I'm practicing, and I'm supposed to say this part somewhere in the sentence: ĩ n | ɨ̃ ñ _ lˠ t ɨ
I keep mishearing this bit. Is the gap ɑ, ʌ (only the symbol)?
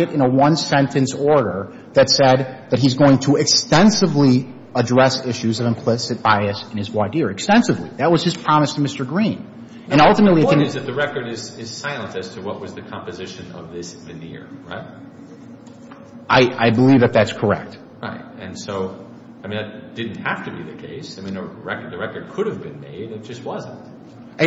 ʌ